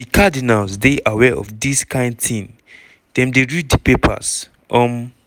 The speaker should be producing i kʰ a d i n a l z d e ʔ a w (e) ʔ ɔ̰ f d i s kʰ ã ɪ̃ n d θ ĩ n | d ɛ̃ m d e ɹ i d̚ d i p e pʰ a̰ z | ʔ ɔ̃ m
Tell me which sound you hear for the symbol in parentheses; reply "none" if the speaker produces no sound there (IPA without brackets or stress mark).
ɛ